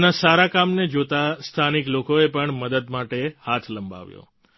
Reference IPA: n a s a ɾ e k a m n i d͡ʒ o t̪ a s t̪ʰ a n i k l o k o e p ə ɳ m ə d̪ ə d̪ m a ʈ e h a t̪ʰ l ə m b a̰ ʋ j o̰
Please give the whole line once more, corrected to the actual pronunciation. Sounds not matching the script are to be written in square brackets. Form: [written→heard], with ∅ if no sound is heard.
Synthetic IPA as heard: n a s a ɾ [e→a] k a m n [i→e] d͡ʒ o t̪ a s t̪ʰ a n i k l o k o e p ə ɳ m ə d̪ ə d̪ m a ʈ e h a t̪ʰ l ə m b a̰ ʋ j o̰